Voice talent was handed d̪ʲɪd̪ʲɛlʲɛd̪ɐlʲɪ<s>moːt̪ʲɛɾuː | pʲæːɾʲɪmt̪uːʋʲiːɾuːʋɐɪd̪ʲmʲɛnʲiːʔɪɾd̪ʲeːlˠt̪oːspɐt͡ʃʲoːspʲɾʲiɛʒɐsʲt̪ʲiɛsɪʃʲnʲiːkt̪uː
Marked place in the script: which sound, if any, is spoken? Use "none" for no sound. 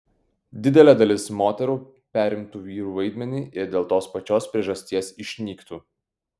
s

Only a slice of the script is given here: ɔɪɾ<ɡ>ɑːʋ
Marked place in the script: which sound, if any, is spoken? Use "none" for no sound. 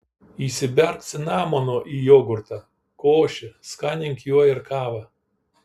k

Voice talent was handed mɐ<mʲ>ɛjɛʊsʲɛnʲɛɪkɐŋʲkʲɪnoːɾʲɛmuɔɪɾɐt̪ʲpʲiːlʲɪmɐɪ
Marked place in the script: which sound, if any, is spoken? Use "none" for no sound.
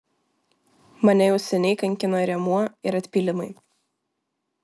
nʲ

